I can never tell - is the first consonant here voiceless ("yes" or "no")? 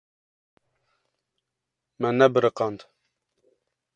no